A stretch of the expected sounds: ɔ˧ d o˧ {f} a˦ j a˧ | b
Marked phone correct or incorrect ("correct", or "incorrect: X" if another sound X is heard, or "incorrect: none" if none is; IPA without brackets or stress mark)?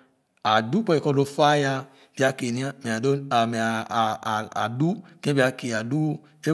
correct